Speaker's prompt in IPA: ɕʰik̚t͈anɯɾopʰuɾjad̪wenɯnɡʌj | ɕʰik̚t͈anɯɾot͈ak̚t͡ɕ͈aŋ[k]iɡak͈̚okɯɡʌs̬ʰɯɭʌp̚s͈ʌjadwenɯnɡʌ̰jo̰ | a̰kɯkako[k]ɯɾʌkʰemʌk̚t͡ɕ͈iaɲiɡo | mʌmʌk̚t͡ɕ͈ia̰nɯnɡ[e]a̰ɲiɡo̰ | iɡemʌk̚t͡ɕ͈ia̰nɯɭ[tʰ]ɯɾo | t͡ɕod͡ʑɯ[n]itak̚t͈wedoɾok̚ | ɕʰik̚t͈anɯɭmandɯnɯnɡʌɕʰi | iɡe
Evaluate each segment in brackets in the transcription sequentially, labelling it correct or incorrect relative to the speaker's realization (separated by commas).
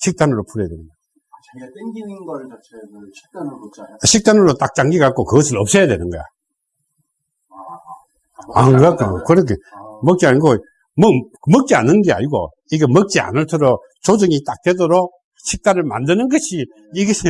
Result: incorrect, correct, correct, correct, incorrect